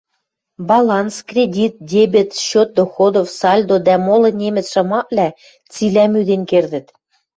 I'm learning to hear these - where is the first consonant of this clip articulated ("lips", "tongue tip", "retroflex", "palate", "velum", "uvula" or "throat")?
lips